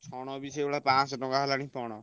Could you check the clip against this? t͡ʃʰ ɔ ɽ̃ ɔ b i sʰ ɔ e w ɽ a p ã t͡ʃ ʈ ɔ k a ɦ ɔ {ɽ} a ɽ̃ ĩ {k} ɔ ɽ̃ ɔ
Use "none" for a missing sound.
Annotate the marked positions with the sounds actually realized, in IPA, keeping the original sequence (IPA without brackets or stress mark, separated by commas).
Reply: l, p